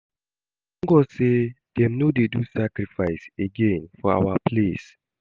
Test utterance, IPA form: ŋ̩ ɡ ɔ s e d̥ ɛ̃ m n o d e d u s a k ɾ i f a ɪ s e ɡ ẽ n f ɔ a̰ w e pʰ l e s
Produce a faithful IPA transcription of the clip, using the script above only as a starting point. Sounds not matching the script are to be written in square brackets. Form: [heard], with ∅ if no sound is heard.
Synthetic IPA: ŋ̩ ɡ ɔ s e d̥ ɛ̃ m n o d e d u s a k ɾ i f a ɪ s e ɡ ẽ n f ɔ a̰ w [a] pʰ l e s